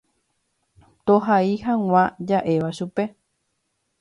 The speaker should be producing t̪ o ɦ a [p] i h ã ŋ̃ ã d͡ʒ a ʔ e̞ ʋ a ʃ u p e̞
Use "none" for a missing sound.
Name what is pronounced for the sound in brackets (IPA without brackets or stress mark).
none